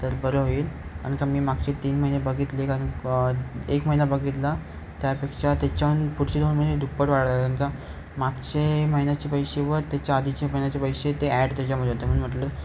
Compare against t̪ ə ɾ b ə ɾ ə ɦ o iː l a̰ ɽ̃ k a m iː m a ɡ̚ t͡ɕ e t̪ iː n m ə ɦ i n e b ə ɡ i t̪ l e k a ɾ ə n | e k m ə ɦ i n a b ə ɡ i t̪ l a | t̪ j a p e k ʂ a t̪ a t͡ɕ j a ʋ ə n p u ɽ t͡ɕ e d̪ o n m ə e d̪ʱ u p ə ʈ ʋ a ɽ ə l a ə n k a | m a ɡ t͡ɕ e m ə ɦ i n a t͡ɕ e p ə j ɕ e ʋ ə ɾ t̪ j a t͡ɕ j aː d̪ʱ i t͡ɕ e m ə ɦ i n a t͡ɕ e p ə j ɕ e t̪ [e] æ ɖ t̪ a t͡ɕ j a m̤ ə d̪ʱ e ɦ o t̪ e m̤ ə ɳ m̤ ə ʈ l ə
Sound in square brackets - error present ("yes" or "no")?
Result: no